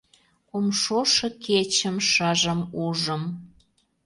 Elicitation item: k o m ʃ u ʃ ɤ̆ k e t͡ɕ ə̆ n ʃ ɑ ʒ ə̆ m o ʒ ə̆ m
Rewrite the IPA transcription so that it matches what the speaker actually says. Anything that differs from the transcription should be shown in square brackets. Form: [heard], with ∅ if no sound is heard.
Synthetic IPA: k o m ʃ [o] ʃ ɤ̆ k e t͡ɕ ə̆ [m] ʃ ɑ ʒ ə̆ m [u] ʒ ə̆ m